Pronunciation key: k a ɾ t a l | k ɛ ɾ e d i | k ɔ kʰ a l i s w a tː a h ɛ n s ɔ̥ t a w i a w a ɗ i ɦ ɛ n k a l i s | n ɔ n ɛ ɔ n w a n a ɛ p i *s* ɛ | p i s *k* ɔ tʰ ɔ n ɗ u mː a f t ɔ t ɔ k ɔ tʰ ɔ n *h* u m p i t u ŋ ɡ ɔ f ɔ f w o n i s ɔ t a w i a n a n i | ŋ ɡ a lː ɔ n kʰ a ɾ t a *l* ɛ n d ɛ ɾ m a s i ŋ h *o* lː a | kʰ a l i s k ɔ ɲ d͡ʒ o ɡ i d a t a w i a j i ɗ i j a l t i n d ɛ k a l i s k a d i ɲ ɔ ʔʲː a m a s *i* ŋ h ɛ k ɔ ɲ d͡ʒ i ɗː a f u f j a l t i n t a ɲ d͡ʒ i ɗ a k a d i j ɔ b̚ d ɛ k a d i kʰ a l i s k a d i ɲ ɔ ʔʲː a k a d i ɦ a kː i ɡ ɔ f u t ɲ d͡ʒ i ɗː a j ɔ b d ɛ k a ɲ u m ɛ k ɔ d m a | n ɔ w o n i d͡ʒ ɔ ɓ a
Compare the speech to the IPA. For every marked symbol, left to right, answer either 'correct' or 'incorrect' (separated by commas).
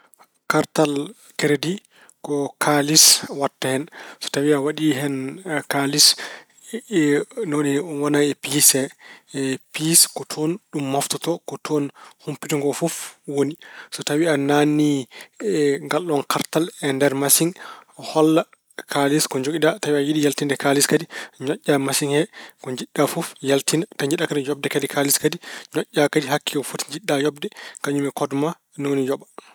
correct, correct, correct, correct, incorrect, correct